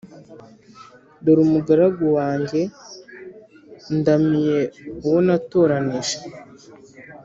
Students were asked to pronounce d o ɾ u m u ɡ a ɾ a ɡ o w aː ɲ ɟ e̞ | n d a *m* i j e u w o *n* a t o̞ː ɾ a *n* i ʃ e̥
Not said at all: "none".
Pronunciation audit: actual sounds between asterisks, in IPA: m, n, n

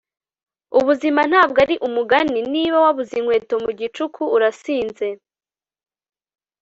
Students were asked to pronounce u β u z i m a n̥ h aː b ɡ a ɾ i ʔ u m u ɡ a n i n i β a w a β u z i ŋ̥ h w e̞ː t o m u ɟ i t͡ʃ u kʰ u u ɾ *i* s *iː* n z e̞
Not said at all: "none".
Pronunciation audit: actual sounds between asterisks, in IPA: a, iː

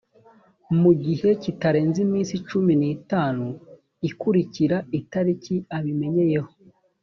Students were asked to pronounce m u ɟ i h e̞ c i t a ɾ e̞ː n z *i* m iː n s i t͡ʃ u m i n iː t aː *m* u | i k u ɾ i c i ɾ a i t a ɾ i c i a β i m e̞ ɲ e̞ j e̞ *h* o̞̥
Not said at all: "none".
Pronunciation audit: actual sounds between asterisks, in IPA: i, n, h

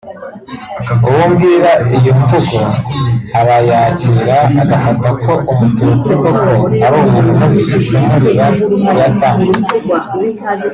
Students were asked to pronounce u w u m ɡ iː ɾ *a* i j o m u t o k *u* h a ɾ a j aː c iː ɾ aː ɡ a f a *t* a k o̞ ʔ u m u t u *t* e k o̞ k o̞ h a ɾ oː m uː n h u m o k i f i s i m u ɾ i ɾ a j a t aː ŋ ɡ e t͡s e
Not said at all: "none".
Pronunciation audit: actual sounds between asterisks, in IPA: a, o, t, t͡s

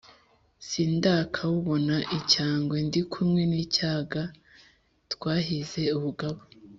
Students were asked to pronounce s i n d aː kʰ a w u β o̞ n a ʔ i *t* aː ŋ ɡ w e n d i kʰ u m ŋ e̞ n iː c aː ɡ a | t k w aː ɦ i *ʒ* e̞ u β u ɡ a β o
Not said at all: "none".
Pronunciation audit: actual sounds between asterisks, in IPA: c, z

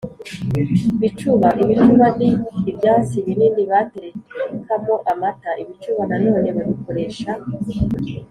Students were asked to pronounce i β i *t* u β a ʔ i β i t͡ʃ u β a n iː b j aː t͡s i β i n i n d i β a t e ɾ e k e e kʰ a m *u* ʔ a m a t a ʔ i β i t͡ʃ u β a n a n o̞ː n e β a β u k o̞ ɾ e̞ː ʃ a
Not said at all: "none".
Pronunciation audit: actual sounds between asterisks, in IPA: t͡ʃ, o

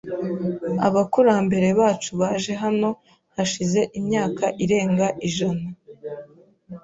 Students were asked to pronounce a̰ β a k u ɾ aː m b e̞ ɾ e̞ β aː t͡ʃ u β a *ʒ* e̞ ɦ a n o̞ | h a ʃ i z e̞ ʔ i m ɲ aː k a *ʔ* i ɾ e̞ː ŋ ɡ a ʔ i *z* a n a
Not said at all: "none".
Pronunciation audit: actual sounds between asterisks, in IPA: ʒ, ʔ, ʒ

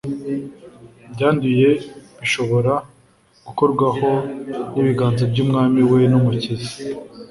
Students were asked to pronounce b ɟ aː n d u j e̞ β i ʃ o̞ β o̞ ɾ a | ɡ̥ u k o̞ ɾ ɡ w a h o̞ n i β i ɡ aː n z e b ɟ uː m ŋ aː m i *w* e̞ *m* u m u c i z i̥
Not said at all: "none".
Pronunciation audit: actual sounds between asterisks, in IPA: w, n

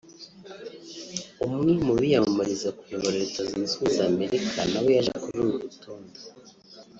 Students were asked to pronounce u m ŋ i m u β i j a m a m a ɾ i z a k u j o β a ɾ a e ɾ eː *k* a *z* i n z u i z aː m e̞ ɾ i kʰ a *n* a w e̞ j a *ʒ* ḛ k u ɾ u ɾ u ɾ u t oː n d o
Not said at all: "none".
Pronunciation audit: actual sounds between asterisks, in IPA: t, z, n, ʒ

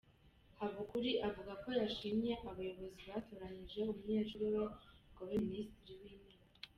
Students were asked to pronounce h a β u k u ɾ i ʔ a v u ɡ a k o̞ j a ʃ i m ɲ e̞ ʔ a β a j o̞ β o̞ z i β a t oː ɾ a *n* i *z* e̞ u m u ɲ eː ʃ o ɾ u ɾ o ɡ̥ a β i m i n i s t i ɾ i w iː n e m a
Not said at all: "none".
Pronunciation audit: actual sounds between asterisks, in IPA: ɲ, ʒ

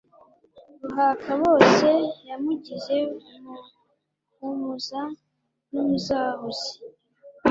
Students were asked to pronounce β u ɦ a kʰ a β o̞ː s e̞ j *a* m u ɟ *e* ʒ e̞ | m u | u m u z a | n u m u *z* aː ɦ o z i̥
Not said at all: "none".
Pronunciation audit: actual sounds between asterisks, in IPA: a, i, z

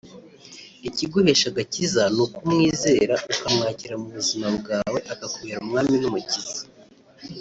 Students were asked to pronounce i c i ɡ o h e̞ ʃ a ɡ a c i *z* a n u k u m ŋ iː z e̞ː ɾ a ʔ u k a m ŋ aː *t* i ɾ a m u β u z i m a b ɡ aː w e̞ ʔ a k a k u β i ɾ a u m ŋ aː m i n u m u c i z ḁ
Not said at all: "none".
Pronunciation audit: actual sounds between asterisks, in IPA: z, c

